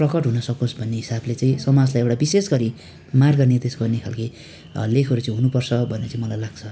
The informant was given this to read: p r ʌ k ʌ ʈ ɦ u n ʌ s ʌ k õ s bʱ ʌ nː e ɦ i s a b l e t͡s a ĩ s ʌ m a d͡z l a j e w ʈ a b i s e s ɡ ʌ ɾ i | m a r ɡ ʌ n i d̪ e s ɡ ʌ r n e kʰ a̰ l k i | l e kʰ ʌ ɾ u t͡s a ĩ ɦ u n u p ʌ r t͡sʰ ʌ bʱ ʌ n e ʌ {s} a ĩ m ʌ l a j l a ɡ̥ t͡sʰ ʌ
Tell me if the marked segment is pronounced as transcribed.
no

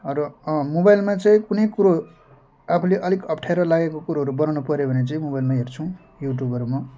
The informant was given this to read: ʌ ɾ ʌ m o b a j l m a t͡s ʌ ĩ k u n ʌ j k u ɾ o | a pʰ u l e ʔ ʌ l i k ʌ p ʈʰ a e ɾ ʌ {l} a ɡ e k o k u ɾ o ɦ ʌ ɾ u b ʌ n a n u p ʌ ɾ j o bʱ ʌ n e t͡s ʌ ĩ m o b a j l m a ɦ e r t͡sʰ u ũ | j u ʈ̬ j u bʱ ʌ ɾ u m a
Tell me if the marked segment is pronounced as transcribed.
yes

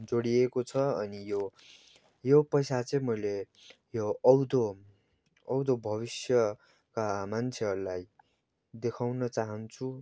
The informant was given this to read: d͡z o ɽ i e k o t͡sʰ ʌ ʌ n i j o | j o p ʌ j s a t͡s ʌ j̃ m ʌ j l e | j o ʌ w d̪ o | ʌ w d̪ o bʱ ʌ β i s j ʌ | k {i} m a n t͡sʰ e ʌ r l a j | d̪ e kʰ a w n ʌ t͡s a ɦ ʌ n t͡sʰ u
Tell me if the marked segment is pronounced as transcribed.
no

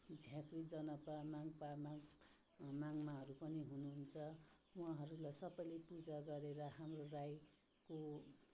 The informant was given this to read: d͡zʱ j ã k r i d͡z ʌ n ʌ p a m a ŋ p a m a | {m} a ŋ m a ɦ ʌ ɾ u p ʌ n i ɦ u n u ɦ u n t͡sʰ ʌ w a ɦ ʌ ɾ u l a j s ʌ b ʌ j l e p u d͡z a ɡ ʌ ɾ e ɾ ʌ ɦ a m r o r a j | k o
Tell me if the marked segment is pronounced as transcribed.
yes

